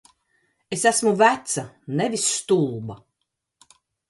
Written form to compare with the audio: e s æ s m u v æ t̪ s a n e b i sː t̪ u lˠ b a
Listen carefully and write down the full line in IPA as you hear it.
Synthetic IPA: e s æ s m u v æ t̪ s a n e v i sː t̪ u lˠ b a